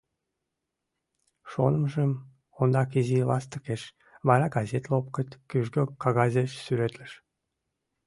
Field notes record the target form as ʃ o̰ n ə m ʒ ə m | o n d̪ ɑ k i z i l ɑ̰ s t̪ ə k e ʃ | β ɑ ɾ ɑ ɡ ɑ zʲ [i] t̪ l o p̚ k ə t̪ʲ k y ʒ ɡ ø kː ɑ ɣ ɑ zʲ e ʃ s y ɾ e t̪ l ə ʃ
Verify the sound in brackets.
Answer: incorrect: e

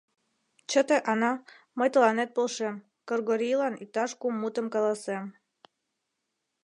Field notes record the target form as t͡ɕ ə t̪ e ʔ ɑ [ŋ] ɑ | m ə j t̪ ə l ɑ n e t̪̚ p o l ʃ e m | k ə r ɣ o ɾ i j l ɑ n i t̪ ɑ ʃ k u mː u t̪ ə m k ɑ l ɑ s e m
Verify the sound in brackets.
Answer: incorrect: n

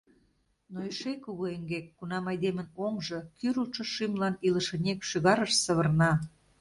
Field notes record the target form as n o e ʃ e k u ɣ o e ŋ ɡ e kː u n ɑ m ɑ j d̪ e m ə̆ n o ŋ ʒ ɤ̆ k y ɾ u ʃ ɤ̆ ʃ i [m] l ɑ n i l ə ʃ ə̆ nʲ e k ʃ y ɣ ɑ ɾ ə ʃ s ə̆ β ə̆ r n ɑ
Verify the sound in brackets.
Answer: correct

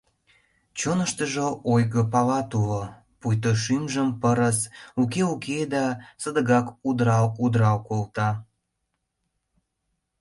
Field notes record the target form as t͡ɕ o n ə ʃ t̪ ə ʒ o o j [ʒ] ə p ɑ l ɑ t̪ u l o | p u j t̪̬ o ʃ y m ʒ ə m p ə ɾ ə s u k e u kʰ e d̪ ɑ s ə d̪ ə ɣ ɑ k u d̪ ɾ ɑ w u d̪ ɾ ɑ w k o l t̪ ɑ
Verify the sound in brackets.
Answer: incorrect: ɣ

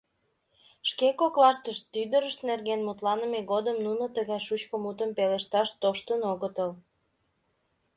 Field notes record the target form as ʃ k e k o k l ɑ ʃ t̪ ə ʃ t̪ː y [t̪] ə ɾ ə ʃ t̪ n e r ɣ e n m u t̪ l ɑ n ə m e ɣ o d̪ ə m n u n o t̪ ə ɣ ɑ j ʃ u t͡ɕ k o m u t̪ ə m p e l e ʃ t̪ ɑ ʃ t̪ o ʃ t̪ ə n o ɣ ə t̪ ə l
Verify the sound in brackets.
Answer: incorrect: d̪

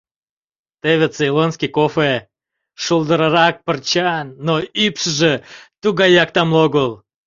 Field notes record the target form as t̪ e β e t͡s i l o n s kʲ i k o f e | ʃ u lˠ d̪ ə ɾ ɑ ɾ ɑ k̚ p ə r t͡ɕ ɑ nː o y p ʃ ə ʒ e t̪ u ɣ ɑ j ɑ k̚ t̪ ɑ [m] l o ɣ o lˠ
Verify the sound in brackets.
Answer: correct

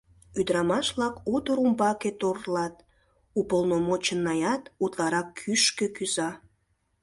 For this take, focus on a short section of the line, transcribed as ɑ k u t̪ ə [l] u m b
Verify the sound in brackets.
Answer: incorrect: ɾ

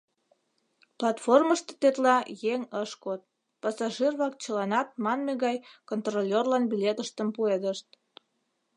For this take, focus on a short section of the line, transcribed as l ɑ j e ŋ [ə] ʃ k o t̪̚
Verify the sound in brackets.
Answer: correct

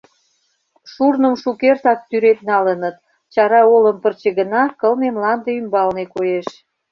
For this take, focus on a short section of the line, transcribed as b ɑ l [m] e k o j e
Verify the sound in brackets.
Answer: incorrect: n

